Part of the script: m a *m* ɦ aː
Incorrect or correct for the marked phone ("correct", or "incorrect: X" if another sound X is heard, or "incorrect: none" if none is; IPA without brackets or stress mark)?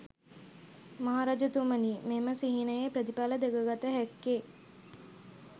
incorrect: none